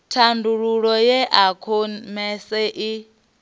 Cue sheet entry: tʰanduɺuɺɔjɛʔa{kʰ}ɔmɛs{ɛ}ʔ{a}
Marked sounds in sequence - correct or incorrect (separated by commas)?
correct, correct, incorrect